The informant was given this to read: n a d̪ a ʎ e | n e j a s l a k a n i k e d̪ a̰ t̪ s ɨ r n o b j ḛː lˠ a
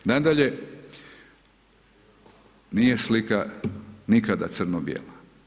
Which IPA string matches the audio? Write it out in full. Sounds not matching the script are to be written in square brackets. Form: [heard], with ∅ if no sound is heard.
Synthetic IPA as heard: n a d̪ a ʎ e | n [i] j [e] s l [i] k a n i k [a] d̪ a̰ t̪ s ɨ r n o b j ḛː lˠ a